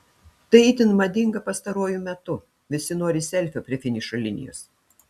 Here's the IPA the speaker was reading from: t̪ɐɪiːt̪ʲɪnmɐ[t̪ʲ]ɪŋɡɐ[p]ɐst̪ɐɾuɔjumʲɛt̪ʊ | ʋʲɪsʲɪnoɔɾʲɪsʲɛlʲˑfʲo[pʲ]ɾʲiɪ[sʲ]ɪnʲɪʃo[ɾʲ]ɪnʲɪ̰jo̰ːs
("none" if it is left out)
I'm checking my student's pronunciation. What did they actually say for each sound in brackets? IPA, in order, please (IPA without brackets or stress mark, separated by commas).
d̪ʲ, p, pʲ, fʲ, lʲ